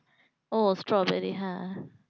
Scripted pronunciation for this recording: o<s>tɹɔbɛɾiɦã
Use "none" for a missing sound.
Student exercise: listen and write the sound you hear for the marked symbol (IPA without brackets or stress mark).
s